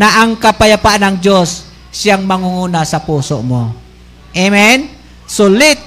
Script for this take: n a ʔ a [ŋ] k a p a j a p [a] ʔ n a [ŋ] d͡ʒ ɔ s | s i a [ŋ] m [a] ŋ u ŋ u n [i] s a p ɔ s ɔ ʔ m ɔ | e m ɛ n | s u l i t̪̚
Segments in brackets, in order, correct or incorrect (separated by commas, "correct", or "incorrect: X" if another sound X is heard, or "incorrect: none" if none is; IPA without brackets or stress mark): correct, correct, correct, correct, correct, incorrect: a